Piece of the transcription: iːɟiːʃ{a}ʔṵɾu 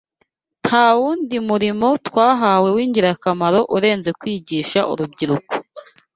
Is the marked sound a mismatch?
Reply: no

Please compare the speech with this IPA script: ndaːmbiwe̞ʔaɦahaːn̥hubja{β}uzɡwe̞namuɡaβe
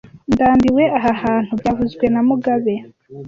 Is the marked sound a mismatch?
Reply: yes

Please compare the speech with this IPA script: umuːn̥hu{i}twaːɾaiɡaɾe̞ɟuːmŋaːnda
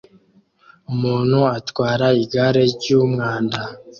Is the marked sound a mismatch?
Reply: yes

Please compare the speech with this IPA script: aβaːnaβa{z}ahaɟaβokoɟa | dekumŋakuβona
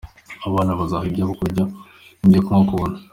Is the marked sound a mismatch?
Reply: no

